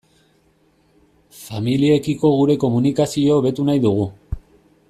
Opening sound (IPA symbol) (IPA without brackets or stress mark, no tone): f